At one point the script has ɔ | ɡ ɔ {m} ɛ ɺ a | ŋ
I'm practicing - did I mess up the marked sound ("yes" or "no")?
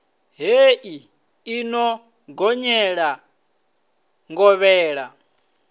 yes